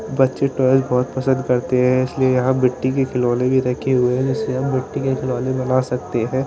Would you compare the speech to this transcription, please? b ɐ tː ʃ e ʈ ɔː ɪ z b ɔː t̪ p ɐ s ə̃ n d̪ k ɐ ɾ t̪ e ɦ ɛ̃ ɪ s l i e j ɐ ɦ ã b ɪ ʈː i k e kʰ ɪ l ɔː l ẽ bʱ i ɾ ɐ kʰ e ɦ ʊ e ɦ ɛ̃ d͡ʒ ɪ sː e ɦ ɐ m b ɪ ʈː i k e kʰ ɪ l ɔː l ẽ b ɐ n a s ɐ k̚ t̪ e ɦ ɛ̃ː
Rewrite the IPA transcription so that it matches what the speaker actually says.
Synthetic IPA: b ɐ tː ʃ e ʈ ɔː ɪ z b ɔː t̪ p ɐ s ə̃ n d̪ k ɐ ɾ t̪ e ɦ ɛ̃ ɪ s l i e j ɐ ɦ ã b ɪ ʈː i k e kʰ ɪ l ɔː l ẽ bʱ i ɾ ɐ kʰ e ɦ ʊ e ɦ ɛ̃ d͡ʒ ɪ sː e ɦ ɐ m b ɪ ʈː i k e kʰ ɪ l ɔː l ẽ b ɐ n a s ɐ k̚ t̪ e ɦ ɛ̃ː